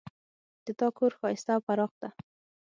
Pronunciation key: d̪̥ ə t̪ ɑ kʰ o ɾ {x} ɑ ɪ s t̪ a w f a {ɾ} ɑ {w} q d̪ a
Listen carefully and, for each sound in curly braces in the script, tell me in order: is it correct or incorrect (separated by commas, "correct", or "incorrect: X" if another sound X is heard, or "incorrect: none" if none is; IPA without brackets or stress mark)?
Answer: correct, correct, incorrect: none